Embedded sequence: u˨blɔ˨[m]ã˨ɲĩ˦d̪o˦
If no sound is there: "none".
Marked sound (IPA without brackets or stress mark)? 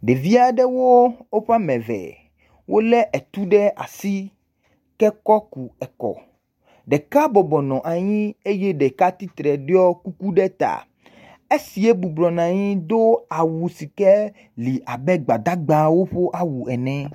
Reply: n